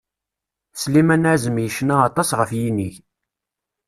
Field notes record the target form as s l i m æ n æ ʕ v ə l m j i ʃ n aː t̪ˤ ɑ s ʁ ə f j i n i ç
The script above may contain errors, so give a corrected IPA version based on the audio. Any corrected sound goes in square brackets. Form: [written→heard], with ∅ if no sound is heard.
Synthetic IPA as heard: s l i m æ n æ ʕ [v→z] ə [l→∅] m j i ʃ n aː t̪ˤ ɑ s ʁ ə f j i n i ç